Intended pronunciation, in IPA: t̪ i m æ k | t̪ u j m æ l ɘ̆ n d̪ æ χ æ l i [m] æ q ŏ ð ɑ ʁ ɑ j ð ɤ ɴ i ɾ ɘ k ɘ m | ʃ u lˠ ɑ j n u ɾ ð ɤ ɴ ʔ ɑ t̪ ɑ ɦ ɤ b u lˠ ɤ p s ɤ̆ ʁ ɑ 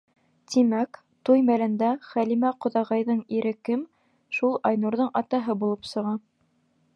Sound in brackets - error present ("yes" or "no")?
no